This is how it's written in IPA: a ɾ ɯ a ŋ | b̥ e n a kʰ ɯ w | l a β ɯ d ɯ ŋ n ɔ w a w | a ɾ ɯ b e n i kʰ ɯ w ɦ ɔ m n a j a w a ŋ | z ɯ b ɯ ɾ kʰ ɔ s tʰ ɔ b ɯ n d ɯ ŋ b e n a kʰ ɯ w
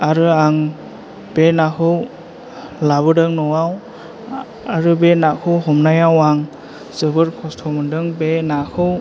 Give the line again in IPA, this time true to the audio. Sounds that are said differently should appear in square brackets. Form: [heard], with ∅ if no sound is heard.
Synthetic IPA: a ɾ ɯ a ŋ | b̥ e n a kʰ ɯ w | l a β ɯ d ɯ ŋ n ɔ w a w | a ɾ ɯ b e n [a] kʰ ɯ w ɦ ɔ m n a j a w a ŋ | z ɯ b ɯ ɾ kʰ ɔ s tʰ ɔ [m] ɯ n d ɯ ŋ b e n a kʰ ɯ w